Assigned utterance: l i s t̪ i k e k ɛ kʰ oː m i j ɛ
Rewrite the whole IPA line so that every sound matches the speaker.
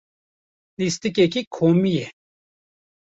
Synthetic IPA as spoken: l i s t̪ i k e k i kʰ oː m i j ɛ